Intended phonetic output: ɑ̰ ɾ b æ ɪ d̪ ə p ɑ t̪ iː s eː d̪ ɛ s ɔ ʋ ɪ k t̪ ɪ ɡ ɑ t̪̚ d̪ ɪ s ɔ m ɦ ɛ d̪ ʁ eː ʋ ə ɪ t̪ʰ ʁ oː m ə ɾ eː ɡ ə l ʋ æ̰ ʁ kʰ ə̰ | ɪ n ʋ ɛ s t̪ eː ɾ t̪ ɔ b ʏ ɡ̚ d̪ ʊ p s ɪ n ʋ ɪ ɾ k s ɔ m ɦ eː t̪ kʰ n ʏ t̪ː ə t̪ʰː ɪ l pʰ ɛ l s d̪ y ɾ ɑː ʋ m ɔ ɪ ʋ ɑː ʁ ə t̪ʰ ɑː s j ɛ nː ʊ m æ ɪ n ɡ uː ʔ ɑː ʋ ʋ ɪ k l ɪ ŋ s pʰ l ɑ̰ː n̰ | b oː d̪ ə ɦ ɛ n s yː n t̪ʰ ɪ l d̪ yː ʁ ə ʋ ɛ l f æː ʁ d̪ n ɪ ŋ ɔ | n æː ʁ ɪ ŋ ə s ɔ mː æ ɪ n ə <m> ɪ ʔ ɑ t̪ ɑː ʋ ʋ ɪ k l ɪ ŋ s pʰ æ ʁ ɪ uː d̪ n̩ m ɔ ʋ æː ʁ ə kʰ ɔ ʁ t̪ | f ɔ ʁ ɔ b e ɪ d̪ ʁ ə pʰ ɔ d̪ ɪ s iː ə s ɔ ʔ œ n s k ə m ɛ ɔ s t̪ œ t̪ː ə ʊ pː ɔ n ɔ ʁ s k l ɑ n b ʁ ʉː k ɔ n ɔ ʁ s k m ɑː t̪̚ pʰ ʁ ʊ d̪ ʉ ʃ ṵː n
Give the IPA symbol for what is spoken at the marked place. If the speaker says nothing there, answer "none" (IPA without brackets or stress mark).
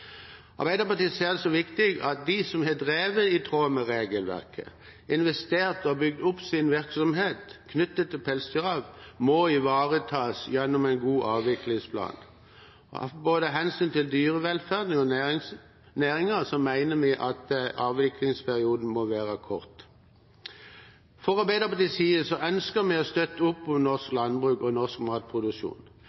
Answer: m